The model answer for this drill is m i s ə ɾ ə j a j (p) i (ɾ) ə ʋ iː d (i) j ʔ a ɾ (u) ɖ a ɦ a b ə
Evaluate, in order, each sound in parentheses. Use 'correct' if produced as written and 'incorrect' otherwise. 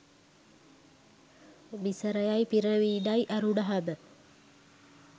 correct, correct, incorrect: a, correct

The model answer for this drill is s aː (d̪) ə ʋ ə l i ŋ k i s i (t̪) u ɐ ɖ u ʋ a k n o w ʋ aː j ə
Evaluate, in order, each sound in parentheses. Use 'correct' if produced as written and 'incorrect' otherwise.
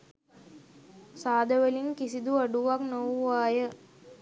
correct, incorrect: d̪

